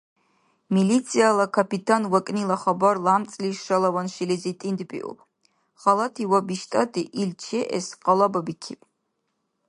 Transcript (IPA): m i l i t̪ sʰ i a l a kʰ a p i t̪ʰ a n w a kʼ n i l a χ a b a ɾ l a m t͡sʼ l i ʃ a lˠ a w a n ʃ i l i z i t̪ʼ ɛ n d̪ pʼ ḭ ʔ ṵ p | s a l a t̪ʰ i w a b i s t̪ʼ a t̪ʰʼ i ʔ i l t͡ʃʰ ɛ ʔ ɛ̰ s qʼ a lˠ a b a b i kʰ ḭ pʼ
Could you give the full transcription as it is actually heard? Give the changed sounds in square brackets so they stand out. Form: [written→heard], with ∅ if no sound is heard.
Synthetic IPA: m i l i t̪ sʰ i a l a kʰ a p i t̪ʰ a n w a kʼ n i l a χ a b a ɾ l a m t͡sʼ l i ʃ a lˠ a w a n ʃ i l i z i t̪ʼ [ɛ→i] n d̪ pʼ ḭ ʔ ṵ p | [s→χ] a l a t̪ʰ i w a b i [s→ʃ] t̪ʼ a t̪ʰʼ i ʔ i l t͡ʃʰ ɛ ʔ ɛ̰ s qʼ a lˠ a b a b i kʰ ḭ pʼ